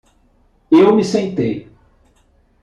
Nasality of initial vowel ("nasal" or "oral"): oral